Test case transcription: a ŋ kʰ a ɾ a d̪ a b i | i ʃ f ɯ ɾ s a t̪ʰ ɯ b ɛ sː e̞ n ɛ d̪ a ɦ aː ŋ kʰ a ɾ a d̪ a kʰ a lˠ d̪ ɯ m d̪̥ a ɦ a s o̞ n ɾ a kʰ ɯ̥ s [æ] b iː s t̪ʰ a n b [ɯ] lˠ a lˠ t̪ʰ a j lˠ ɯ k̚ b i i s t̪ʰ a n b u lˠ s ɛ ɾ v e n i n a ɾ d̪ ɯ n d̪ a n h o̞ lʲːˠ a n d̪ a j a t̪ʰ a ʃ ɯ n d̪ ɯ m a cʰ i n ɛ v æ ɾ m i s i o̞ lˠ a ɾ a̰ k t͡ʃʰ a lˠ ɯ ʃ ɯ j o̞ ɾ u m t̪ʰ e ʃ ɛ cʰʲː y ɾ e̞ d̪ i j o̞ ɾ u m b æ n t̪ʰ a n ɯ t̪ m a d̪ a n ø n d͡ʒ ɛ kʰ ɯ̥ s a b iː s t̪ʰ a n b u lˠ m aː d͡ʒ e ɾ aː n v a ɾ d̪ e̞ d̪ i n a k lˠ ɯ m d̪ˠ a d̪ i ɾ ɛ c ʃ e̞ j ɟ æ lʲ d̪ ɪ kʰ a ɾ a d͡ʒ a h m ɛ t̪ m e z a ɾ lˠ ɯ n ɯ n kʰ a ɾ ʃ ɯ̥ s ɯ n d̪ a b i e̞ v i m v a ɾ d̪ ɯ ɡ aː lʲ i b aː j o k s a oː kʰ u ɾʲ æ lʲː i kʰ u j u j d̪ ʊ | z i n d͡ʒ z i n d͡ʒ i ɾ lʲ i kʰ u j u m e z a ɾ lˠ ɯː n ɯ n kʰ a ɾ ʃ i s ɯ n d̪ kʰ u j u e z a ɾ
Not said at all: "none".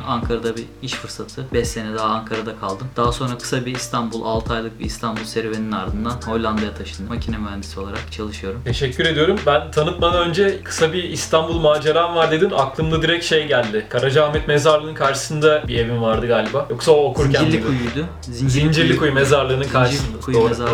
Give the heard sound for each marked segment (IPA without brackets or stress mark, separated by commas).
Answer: a, u